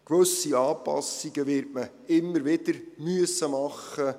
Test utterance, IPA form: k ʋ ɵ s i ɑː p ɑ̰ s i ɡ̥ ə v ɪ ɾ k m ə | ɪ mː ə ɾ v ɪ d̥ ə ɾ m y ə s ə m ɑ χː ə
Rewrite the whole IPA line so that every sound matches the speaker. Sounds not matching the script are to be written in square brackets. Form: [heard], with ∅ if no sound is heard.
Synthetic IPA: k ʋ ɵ s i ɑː p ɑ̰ s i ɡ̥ ə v ɪ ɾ [t] m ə | ɪ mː ə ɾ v ɪ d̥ ə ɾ m y ə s ə m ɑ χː ə